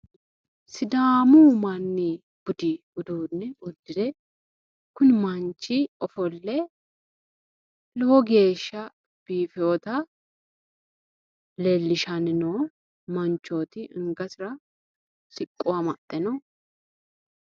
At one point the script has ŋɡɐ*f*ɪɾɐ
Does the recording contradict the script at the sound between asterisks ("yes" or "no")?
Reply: yes